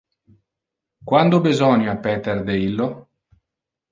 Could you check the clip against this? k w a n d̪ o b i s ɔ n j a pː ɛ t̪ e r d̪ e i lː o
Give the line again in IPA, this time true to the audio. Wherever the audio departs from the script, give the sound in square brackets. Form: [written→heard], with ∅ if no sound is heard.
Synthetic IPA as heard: k w a n d̪ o b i [s→z] ɔ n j a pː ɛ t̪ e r d̪ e i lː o